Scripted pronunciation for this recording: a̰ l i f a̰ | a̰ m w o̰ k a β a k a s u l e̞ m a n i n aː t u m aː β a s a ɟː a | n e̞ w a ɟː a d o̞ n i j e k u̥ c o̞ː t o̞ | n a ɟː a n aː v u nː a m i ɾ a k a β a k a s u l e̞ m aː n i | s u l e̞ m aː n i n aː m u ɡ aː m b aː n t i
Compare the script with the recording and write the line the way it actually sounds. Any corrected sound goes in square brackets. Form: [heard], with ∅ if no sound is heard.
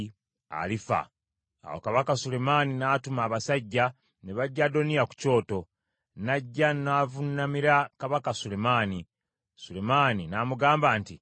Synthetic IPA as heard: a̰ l i f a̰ | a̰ [∅] w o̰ k a β a k a s u l e̞ m a n i n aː t u m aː β a s a ɟː a | n e̞ [β] a ɟː a d o̞ n i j [a] k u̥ c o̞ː t o̞ | n a ɟː a n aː v u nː a m i ɾ a k a β a k a s u l e̞ m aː n i | s u l e̞ m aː n i n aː m u ɡ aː m b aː n t i